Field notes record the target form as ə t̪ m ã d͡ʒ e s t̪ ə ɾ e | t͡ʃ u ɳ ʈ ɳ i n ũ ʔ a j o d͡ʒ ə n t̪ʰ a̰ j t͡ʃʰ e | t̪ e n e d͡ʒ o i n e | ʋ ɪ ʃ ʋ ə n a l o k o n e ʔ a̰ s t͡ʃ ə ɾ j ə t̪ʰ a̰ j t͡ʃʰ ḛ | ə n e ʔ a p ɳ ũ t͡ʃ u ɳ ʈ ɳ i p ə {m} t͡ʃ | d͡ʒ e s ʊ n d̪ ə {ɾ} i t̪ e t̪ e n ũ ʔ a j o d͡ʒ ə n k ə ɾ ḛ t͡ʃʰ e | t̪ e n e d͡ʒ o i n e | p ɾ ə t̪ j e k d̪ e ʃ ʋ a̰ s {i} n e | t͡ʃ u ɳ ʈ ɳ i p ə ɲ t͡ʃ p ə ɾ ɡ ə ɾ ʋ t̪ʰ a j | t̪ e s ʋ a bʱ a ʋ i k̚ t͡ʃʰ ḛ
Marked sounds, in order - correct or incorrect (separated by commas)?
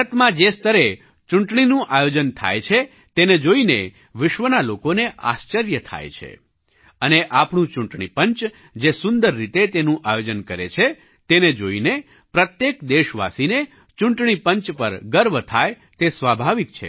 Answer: incorrect, incorrect, correct